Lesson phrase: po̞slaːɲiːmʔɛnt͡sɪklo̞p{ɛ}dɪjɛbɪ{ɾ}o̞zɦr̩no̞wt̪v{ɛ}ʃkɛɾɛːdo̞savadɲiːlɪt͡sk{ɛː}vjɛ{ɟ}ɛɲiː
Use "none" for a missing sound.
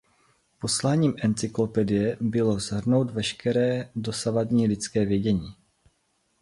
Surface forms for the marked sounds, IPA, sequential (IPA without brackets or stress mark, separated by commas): ɛ, l, ɛ, ɛː, ɟ